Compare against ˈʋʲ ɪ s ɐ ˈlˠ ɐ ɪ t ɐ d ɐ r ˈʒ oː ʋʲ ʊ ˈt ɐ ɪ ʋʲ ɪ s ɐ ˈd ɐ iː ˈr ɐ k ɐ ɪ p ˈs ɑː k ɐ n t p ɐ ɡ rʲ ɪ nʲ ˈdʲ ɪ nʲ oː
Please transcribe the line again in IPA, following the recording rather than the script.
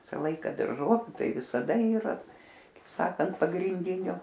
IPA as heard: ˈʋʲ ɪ s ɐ ˈlˠ ɐ ɪ k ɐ d ɐ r ˈʒ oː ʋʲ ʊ ˈt ɐ ɪ ʋʲ ɪ s ɐ ˈd ɐ iː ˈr ɐ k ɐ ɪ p ˈs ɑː k ɐ n t p ɐ ɡ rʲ ɪ nʲ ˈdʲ ɪ nʲ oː